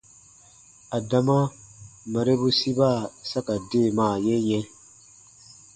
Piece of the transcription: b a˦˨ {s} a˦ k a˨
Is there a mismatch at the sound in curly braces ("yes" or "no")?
no